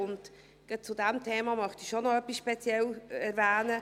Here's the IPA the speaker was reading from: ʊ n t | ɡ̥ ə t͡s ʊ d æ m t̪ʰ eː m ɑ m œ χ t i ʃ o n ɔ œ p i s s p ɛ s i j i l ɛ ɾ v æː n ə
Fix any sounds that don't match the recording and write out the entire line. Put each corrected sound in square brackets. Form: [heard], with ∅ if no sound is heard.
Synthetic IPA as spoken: ʊ n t | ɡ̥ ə t͡s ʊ d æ m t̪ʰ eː m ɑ m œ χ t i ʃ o n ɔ œ p i s [ʃ] p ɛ [t͡s] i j [ɛ] l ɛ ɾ v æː n ə